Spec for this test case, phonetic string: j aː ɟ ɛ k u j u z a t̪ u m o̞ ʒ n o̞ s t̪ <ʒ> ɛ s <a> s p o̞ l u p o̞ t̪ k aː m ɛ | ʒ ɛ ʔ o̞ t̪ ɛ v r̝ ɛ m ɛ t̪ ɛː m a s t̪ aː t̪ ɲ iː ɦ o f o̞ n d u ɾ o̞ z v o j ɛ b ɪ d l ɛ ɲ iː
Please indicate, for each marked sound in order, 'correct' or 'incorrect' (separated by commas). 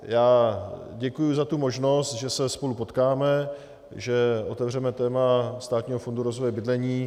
correct, incorrect